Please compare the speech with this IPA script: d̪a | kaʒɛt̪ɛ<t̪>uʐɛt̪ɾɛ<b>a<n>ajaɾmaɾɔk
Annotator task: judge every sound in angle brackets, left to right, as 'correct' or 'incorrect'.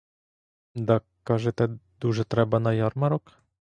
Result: incorrect, correct, correct

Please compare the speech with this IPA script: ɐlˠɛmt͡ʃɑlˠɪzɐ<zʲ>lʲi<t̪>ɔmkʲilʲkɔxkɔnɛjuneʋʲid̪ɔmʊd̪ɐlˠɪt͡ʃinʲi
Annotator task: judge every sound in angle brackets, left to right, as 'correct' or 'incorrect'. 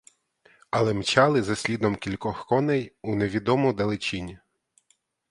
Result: incorrect, incorrect

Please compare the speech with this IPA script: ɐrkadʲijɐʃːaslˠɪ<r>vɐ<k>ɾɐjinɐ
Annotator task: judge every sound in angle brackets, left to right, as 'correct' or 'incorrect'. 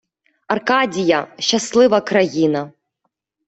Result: incorrect, correct

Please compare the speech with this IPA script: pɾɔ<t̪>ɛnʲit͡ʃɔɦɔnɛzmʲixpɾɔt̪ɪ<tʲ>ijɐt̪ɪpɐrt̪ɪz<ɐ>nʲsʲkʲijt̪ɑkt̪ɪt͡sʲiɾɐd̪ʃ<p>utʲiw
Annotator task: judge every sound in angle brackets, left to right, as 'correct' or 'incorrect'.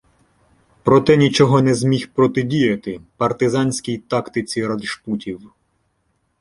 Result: correct, incorrect, incorrect, correct

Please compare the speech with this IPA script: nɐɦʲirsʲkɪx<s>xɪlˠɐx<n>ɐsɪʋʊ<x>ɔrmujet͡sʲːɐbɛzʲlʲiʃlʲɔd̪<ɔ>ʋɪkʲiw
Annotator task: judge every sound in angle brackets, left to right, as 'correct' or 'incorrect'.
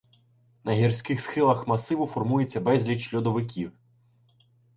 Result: correct, incorrect, incorrect, correct

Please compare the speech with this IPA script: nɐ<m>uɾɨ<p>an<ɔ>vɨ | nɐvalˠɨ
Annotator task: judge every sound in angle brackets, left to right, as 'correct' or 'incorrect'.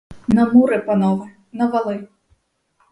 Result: correct, correct, correct

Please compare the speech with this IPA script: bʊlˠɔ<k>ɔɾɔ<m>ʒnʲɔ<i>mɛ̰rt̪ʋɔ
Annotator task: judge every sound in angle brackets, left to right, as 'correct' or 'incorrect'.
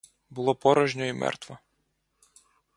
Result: incorrect, incorrect, correct

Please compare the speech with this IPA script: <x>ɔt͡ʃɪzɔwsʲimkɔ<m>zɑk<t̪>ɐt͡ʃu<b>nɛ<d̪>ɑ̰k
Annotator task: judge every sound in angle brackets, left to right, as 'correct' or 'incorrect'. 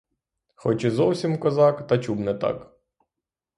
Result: correct, incorrect, correct, correct, incorrect

